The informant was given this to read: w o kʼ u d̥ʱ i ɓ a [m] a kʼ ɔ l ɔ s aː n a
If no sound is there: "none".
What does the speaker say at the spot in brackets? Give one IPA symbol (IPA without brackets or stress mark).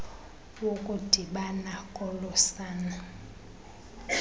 n